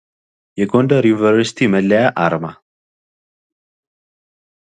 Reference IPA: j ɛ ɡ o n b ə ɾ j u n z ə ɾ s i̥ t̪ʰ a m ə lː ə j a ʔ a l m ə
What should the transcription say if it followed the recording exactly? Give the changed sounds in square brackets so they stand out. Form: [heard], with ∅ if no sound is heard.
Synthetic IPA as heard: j ɛ ɡ o n [d] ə ɾ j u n [v] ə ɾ s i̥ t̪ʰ [i] m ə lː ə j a ʔ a [ɾ] m [a]